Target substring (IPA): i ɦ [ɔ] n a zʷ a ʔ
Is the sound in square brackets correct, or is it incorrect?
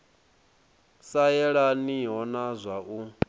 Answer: correct